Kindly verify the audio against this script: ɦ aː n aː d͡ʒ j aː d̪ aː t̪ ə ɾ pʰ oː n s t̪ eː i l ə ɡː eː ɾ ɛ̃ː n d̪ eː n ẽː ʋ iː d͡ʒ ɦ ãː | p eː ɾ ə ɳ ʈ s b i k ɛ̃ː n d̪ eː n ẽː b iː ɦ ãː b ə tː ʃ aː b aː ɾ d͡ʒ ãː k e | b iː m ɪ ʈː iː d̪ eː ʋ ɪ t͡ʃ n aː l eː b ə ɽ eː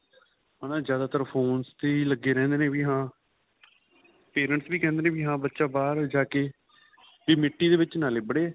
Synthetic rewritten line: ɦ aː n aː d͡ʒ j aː d̪ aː t̪ ə ɾ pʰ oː n s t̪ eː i l ə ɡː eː ɾ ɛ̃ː n d̪ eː n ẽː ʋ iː ɦ ãː | p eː ɾ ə ɳ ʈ s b iː k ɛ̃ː n d̪ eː n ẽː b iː ɦ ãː b ə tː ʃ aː b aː ɾ d͡ʒ aː k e | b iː m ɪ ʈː iː d̪ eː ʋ ɪ t͡ʃ n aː l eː b ə ɽ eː